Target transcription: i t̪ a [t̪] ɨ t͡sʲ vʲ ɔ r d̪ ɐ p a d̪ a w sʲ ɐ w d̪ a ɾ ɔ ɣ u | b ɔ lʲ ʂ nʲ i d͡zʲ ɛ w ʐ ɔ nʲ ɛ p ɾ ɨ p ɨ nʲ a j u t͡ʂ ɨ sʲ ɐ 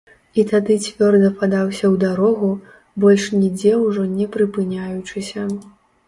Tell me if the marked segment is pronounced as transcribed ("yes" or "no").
no